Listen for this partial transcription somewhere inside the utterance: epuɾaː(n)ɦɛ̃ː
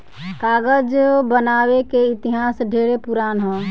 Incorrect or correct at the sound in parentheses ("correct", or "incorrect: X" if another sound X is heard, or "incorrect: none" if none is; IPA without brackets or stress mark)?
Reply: correct